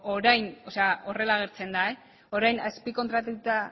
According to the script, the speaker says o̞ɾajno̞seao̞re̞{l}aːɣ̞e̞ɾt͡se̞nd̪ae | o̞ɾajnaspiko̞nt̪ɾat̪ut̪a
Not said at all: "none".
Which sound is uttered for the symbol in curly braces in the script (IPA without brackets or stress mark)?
l